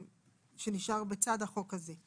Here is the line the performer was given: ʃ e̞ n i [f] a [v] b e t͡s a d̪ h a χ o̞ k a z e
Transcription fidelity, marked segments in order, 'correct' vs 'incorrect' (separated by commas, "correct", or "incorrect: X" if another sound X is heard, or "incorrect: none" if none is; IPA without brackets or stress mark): incorrect: ʃ, incorrect: ʁ